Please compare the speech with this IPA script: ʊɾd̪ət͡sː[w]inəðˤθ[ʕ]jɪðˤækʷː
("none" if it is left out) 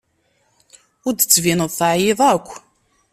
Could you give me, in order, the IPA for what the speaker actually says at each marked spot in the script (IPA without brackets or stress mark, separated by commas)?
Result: v, ʕ